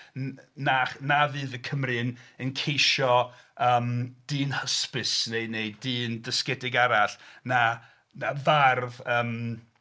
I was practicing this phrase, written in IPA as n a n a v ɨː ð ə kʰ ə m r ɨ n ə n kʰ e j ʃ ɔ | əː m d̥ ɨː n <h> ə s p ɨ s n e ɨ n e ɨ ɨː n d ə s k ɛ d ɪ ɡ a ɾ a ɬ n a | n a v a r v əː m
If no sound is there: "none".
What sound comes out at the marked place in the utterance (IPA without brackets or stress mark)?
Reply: h